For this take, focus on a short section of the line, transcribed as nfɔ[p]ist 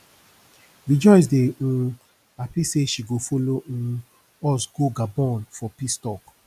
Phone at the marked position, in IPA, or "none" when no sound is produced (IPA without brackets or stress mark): p